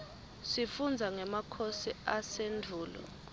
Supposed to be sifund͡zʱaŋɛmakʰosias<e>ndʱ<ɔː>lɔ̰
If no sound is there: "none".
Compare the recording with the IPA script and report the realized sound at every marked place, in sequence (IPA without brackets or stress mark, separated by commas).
e, uː